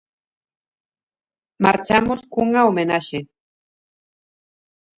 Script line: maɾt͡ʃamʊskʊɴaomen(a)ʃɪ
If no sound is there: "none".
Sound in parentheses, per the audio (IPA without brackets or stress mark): a